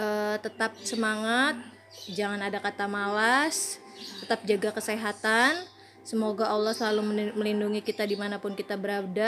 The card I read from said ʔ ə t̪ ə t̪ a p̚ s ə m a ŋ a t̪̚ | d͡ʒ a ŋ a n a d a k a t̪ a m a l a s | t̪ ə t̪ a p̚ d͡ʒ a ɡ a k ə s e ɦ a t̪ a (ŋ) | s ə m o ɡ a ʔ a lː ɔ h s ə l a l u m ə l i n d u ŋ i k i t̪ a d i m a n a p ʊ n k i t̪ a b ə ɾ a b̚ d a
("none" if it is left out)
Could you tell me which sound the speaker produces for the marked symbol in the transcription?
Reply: n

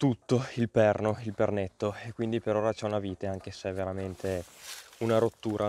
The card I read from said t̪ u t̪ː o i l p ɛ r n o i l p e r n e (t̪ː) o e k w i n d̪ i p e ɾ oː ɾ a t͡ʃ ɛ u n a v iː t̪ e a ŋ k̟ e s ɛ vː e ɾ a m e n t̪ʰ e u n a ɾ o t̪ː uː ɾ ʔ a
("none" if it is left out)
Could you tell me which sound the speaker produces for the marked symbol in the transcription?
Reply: t̪ː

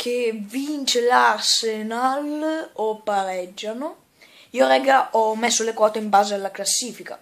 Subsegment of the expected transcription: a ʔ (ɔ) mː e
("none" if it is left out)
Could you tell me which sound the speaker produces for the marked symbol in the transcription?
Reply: ɔ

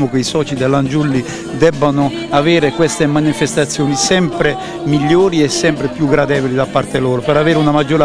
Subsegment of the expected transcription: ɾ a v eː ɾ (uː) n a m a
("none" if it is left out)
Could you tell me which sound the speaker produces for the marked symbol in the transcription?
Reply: u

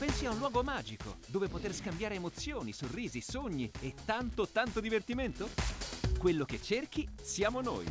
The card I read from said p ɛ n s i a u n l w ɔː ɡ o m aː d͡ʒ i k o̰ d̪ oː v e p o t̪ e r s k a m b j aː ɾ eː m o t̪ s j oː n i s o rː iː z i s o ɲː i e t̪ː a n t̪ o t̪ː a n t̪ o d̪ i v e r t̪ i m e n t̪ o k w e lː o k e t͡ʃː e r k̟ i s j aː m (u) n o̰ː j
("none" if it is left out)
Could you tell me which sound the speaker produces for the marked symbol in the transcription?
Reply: o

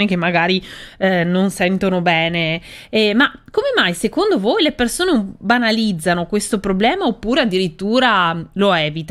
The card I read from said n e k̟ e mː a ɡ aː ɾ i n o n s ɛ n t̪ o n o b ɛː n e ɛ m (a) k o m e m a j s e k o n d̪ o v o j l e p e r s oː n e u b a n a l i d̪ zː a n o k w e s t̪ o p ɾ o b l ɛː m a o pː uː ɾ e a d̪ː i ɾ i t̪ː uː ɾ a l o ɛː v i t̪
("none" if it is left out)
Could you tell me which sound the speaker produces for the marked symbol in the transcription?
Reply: a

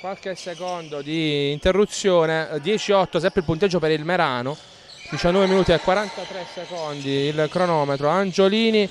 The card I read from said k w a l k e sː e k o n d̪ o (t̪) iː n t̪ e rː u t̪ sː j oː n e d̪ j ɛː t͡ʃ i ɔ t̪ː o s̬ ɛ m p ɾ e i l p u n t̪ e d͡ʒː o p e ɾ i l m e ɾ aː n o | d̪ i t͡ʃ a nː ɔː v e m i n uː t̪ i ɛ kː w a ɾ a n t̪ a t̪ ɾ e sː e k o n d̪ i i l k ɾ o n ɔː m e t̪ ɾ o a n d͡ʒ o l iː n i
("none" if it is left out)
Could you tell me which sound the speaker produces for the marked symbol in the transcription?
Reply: d̪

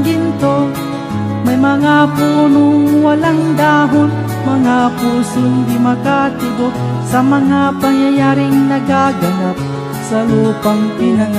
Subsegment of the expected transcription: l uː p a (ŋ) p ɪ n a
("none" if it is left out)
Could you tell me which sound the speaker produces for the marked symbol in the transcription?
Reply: ŋ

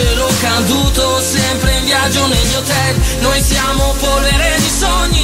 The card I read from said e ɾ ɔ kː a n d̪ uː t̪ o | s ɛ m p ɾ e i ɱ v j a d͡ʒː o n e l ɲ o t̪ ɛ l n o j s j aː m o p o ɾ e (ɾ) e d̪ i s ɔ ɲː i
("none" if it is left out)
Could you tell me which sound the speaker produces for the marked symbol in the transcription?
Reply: ɾ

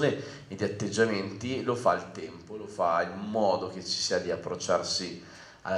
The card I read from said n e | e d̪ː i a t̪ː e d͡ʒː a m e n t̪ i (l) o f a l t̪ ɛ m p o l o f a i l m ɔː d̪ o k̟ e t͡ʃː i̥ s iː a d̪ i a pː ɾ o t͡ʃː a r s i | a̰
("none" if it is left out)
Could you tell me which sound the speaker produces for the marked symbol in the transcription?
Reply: l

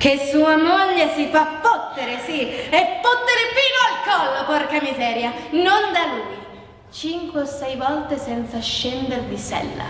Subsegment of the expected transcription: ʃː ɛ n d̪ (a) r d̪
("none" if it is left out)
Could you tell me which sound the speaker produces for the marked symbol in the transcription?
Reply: e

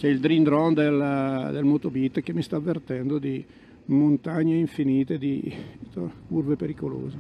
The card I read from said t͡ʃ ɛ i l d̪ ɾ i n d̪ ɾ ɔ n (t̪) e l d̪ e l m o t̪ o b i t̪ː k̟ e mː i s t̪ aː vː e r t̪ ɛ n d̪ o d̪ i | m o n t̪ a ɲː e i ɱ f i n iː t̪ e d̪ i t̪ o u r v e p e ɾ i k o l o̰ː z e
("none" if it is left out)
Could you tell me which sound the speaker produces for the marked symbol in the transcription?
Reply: d̪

